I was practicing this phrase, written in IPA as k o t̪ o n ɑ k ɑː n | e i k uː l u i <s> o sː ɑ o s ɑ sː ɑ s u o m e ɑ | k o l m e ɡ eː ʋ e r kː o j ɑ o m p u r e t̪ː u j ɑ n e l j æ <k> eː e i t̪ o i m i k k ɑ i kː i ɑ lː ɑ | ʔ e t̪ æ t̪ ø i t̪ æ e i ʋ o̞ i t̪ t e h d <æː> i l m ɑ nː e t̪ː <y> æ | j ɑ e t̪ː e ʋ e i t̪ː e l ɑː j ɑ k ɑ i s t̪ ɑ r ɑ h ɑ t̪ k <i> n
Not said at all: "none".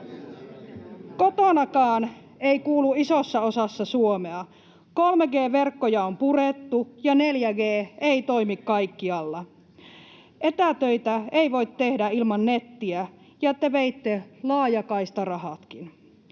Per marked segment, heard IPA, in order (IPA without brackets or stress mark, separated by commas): s, ɡ, æ, i, i